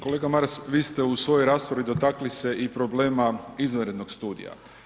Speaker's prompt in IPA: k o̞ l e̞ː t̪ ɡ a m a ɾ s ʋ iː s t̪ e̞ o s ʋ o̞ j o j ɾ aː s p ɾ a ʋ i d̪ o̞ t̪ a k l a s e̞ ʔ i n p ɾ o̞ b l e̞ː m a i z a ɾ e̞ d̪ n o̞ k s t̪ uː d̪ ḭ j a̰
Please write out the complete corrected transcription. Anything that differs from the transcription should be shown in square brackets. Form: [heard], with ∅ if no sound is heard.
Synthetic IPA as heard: k o̞ l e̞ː [∅] ɡ a m a ɾ s ʋ iː s t̪ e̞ [u] s ʋ o̞ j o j ɾ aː s p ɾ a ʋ i d̪ o̞ t̪ a k l [i] s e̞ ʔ i [∅] p ɾ o̞ b l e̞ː m a i z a ɾ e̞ d̪ n o̞ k s t̪ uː d̪ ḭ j a̰